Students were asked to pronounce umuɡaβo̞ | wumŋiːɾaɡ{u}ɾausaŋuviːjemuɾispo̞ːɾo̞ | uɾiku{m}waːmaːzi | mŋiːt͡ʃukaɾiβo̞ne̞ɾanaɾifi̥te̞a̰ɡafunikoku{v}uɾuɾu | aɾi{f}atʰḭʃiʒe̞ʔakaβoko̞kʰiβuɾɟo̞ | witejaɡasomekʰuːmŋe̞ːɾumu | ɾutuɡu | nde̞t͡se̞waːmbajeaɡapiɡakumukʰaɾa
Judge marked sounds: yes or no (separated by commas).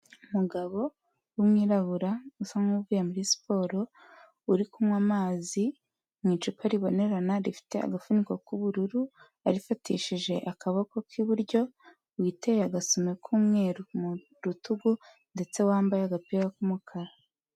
yes, yes, no, yes